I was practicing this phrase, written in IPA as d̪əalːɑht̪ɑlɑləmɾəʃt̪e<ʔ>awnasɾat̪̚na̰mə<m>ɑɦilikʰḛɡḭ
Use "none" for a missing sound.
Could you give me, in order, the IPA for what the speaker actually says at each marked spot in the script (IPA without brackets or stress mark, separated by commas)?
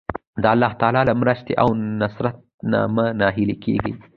ʔ, n